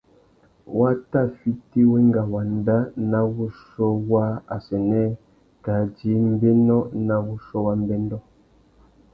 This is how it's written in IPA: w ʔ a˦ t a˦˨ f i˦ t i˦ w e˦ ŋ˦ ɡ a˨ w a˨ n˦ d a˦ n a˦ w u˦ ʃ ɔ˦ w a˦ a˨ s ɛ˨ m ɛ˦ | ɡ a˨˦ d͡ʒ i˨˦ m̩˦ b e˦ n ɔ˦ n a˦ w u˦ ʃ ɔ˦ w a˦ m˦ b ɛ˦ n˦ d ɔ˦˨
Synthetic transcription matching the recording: w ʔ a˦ t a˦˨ f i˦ t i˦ w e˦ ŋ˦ ɡ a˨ w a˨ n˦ d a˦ n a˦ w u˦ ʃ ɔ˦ w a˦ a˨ s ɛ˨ n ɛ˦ | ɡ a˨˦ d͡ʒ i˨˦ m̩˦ b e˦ n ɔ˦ n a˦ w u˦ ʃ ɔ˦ w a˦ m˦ b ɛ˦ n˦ d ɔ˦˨